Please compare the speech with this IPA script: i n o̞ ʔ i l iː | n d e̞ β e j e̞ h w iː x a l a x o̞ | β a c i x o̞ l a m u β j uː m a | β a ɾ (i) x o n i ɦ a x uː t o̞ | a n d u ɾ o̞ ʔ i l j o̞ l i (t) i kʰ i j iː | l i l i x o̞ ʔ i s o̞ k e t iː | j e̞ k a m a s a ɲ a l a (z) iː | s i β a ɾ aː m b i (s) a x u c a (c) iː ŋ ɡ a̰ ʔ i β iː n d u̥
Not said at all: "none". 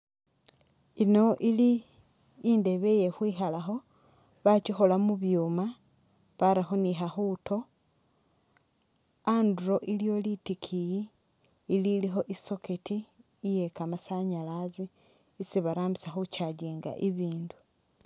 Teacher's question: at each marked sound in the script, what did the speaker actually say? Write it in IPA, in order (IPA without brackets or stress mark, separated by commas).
a, t, z, s, ɟ